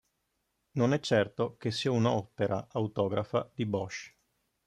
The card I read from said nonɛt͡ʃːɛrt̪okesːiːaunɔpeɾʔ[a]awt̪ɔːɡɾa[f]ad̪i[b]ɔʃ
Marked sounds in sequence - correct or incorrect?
correct, correct, correct

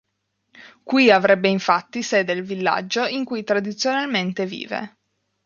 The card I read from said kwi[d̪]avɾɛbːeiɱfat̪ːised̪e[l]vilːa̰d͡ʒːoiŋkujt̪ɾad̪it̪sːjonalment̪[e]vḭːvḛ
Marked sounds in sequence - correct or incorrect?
incorrect, correct, correct

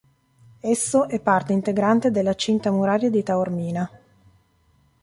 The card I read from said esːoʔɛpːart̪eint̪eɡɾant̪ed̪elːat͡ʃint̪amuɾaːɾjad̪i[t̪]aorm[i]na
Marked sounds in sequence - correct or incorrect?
correct, incorrect

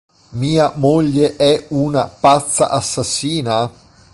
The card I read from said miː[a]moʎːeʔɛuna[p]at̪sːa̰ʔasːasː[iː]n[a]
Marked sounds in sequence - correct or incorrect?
correct, correct, correct, correct

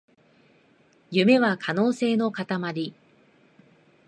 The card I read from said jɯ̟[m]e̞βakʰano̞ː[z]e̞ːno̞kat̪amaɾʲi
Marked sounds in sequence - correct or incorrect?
correct, incorrect

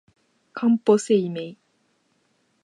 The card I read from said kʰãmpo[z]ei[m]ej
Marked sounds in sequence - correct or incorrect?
incorrect, correct

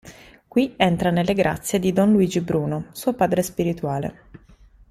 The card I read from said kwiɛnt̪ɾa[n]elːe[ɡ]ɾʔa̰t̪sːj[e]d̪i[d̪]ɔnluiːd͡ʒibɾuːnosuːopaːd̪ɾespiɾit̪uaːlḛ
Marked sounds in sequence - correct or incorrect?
correct, correct, correct, correct

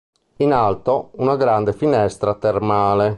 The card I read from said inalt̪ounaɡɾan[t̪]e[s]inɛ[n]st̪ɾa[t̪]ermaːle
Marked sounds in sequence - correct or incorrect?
incorrect, incorrect, incorrect, correct

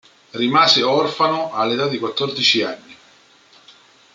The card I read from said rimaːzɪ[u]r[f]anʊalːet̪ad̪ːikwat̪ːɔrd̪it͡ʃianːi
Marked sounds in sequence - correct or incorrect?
incorrect, correct

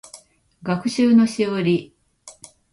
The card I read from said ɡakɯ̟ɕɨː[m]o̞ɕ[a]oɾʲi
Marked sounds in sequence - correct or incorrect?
incorrect, incorrect

